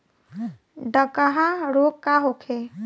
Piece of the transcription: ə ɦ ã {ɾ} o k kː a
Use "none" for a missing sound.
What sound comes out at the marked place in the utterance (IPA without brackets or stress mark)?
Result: ɾ